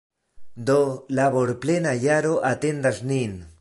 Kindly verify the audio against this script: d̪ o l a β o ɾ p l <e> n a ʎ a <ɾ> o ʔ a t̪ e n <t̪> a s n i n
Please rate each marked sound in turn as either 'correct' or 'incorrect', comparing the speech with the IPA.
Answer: correct, correct, incorrect: d̪

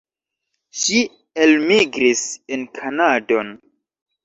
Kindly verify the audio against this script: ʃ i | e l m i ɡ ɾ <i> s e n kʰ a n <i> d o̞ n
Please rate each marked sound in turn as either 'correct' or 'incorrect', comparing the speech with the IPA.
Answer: correct, incorrect: a

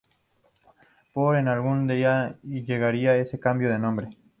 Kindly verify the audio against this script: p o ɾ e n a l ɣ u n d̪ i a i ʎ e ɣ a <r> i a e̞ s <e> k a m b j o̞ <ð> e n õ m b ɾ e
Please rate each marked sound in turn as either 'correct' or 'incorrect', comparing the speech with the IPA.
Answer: incorrect: ɾ, correct, correct

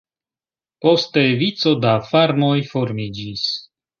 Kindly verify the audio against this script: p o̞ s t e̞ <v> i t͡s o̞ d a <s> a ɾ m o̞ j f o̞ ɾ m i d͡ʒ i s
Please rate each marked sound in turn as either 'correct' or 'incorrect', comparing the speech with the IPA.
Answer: correct, incorrect: f

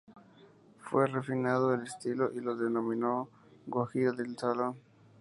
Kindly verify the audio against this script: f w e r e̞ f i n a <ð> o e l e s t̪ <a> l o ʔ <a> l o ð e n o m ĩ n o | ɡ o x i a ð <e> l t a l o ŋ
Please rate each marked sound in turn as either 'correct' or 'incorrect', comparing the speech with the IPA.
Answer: correct, incorrect: i, incorrect: i, correct

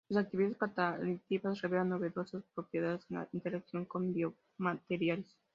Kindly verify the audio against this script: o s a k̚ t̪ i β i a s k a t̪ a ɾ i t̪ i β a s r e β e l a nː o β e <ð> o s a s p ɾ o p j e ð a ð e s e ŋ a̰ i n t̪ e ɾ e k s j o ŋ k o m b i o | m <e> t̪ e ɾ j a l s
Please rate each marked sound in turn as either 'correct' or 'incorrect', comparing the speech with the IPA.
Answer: correct, incorrect: a

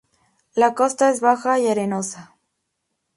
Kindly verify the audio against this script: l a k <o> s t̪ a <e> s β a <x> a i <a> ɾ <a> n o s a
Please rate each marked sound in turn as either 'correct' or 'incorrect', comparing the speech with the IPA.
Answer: correct, correct, correct, correct, incorrect: e

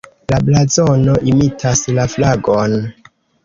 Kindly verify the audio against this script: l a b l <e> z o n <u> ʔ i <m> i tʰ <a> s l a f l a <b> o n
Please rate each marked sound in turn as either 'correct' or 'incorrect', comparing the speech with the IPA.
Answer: incorrect: a, incorrect: o, correct, correct, incorrect: ɡ

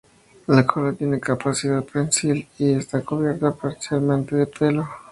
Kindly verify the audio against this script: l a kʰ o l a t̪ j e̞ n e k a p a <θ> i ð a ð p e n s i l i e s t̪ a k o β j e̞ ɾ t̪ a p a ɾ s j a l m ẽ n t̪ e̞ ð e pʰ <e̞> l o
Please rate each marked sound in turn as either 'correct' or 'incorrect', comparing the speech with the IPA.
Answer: incorrect: s, correct

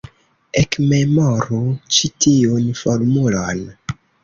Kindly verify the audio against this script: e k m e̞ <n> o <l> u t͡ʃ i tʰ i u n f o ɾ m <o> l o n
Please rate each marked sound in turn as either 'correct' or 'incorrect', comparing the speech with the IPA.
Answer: incorrect: m, incorrect: ɾ, incorrect: u

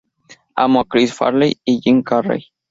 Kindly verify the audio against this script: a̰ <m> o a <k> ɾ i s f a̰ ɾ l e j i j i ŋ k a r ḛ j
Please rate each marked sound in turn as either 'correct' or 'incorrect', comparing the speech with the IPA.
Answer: correct, correct

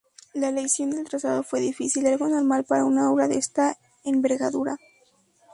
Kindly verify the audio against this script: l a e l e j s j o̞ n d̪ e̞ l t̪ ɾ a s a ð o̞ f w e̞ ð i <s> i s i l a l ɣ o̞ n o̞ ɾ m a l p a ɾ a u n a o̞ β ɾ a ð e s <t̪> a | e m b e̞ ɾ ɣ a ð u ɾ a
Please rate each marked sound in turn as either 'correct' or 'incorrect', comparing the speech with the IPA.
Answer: incorrect: f, correct

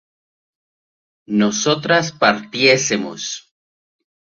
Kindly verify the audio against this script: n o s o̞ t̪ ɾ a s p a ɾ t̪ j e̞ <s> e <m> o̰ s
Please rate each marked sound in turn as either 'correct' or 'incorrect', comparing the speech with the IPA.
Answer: correct, correct

